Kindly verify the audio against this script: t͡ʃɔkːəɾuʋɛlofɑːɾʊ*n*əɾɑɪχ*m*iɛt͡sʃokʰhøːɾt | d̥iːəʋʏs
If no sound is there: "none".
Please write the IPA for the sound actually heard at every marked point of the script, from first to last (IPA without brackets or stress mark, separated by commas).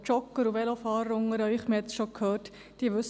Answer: ŋ, m